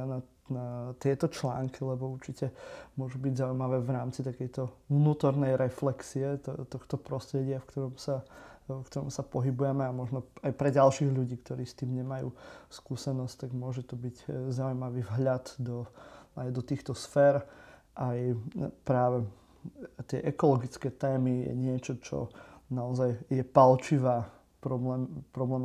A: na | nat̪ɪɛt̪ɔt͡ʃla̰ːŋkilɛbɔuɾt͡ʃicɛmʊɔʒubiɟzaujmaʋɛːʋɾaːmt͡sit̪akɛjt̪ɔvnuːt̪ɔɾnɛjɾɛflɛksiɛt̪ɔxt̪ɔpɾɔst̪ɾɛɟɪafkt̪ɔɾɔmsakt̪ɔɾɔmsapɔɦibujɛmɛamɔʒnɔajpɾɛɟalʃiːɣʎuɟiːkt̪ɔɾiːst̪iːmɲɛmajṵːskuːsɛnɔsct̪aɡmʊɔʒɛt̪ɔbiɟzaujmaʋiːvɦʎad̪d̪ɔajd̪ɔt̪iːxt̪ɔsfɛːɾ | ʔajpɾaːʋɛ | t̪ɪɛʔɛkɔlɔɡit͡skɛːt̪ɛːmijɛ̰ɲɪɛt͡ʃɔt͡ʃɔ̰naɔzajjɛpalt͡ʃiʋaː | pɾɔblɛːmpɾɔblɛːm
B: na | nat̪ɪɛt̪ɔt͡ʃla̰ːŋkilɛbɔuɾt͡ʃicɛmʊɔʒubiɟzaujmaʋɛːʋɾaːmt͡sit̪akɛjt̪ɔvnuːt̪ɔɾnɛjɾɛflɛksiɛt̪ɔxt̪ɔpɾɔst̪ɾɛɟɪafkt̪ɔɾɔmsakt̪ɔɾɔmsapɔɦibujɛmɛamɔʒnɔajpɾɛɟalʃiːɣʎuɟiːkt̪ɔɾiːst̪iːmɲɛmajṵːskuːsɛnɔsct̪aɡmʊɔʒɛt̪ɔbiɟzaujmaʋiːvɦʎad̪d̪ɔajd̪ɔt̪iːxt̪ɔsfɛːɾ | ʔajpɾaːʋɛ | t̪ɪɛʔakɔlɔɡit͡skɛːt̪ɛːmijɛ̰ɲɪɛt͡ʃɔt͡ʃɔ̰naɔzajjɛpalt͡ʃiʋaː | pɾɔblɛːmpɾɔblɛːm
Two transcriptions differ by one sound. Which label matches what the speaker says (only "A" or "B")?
A